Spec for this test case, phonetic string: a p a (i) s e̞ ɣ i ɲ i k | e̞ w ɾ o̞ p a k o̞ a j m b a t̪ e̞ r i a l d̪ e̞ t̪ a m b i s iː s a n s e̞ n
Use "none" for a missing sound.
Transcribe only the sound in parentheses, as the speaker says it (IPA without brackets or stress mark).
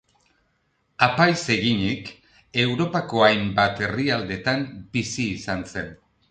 j